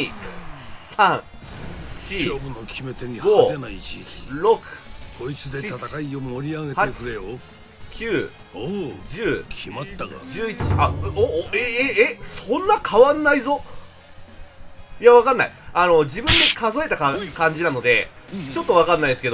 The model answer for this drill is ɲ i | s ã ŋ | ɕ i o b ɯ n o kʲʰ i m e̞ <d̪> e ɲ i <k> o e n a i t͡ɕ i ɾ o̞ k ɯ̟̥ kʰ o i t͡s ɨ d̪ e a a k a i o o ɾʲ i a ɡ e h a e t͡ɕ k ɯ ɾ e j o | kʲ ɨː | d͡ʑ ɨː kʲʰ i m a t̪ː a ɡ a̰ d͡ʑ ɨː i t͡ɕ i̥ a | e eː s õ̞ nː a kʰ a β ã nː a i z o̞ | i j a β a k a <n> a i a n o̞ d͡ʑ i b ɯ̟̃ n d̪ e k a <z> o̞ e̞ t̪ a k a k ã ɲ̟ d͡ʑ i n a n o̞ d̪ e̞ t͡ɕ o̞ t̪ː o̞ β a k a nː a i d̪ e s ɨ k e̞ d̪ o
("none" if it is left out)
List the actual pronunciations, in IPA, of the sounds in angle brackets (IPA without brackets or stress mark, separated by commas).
t̪, ɡ, nː, z